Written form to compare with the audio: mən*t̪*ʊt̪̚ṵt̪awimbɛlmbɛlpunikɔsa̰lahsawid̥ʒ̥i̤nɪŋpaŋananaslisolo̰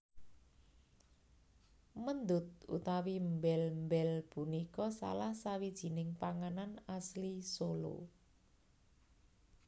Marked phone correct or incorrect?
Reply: incorrect: d̪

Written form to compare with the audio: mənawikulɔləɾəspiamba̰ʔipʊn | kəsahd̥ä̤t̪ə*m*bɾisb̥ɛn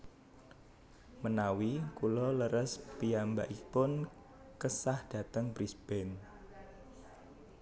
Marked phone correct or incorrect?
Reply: incorrect: ŋ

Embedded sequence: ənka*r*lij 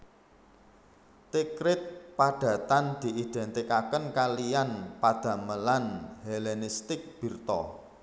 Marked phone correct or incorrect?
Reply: incorrect: none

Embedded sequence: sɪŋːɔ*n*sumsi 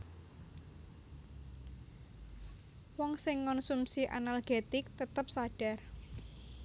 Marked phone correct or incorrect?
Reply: correct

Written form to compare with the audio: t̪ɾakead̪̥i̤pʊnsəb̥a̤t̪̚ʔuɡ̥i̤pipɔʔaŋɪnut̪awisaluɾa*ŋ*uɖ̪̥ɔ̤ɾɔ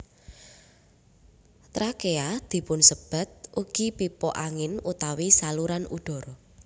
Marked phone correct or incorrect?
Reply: incorrect: n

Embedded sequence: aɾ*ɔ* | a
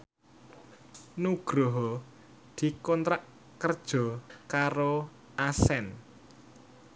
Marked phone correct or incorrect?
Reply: incorrect: o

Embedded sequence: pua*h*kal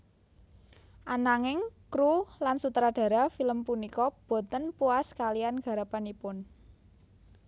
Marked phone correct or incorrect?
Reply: incorrect: s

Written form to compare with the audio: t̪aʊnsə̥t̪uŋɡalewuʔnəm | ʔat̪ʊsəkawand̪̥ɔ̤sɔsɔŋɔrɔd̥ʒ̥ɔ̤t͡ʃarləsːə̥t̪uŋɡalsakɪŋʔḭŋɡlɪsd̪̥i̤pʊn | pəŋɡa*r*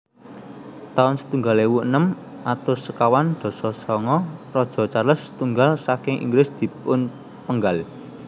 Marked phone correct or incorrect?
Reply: incorrect: l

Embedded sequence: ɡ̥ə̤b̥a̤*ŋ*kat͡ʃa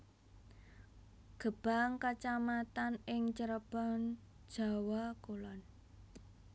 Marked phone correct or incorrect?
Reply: correct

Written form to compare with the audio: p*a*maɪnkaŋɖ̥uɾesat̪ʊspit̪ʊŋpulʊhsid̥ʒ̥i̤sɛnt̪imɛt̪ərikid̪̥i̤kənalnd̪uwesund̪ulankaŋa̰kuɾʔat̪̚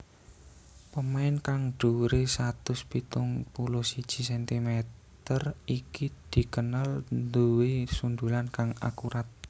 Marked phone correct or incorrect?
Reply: incorrect: ə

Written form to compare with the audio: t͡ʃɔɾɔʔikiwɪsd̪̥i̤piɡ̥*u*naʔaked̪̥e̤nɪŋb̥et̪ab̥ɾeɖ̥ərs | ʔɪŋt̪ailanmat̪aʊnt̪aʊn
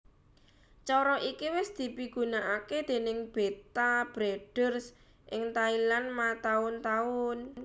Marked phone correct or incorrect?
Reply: correct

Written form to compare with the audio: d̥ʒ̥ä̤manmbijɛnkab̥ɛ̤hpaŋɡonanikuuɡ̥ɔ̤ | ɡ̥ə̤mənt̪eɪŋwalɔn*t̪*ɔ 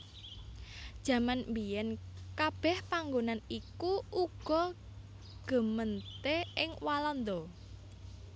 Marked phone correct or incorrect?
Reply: incorrect: d̪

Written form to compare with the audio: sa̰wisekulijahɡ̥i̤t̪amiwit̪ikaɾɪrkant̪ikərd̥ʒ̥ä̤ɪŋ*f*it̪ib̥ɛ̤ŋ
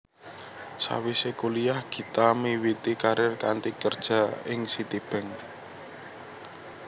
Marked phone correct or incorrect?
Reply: incorrect: s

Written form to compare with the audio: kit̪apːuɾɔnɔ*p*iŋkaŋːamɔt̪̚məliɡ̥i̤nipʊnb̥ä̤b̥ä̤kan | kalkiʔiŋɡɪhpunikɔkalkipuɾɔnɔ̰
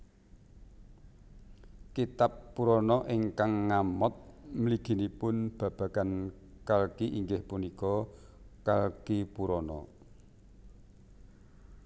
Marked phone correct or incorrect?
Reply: incorrect: ʔ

